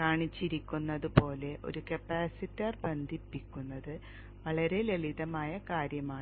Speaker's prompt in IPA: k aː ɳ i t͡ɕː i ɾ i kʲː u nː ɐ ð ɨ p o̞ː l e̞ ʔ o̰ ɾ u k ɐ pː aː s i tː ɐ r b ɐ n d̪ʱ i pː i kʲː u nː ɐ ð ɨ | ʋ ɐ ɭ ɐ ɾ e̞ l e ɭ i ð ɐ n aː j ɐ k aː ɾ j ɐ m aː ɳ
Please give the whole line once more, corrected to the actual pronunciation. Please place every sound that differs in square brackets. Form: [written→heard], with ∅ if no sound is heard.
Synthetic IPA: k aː ɳ i t͡ɕː i ɾ i kʲː u nː ɐ ð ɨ p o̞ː l e̞ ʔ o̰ ɾ u k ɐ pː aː s i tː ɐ r b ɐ n d̪ʱ i pː i kʲː u nː ɐ ð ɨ | ʋ ɐ ɭ ɐ ɾ e̞ l e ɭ i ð ɐ [n→m] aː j ɐ k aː ɾ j ɐ m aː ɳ

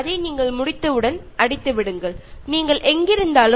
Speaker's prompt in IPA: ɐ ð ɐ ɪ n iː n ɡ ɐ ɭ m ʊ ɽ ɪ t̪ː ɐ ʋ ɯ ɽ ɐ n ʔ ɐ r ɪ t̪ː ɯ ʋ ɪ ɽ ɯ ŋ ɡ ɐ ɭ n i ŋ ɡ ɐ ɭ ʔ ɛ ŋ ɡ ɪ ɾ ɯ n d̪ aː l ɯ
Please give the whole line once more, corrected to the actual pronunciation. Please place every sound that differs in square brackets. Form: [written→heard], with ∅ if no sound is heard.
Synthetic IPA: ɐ ð ɐ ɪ n iː [n→ŋ] ɡ ɐ ɭ m ʊ ɽ ɪ t̪ː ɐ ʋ ɯ ɽ ɐ n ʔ ɐ [r→ɽ] ɪ t̪ː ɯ ʋ ɪ ɽ ɯ ŋ ɡ ɐ ɭ n [i→iː] ŋ ɡ ɐ ɭ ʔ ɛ ŋ ɡ ɪ ɾ ɯ n d̪ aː l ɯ

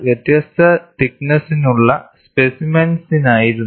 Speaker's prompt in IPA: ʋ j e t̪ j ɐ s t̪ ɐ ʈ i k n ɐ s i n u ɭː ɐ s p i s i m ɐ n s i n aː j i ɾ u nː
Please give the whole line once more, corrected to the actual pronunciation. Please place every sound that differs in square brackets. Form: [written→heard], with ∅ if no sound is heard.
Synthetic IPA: ʋ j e t̪ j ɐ s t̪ ɐ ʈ i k n ɐ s i n u ɭː ɐ s p [i→e] s i m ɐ n s i n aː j i ɾ u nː

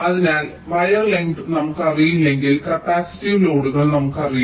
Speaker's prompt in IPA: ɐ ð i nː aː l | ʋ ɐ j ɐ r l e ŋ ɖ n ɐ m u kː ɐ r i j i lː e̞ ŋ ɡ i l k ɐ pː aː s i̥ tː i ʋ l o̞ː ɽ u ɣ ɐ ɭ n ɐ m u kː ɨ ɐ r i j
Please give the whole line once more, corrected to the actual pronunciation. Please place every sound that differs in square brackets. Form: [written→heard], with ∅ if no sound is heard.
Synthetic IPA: ɐ ð i [nː→n] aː l | ʋ ɐ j ɐ r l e ŋ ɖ n ɐ m u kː ɐ r i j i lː e̞ ŋ ɡ i l k ɐ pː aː s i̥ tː i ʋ l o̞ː ɽ u ɣ ɐ ɭ n ɐ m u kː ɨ ɐ r i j

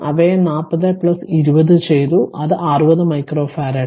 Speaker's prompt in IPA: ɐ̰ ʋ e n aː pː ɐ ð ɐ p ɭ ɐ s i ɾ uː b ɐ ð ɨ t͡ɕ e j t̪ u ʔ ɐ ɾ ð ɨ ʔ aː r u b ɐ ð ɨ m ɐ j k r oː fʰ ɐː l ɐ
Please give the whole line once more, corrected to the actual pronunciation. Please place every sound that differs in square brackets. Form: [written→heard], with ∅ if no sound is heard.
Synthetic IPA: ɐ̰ ʋ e n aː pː ɐ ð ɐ p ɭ ɐ s i ɾ [uː→u] b ɐ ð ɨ t͡ɕ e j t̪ u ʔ ɐ [ɾ→∅] ð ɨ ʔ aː r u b ɐ ð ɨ m ɐ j k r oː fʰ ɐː [l→ɾ] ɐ

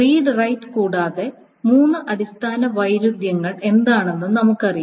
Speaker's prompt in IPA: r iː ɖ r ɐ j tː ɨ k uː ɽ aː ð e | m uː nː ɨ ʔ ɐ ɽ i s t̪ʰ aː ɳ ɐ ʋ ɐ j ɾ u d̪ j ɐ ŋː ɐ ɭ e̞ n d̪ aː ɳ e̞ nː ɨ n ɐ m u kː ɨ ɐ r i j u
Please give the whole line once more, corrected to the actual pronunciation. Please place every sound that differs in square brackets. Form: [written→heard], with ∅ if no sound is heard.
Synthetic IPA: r iː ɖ r ɐ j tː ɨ k uː ɽ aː ð e | m uː nː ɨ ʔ ɐ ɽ i s t̪ʰ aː [ɳ→n] ɐ ʋ ɐ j ɾ u d̪ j ɐ ŋː ɐ ɭ e̞ n d̪ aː ɳ e̞ nː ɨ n ɐ m u kː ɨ ɐ r i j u

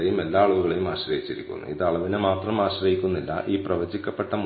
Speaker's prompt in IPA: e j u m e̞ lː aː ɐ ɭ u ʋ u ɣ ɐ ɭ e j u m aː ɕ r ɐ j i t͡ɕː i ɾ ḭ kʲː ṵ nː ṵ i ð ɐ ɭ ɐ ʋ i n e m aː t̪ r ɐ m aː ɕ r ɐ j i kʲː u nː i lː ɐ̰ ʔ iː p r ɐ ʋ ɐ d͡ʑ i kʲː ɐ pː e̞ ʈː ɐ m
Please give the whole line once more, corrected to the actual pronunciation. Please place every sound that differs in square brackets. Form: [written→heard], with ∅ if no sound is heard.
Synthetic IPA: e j u m e̞ lː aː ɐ ɭ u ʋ u ɣ ɐ ɭ e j u m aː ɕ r ɐ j i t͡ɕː i ɾ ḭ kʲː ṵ nː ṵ i ð ɐ ɭ ɐ ʋ i n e m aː t̪ r ɐ m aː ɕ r ɐ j i kʲː u nː i lː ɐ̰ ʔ iː p r ɐ ʋ ɐ d͡ʑ i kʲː ɐ pː e̞ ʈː ɐ m

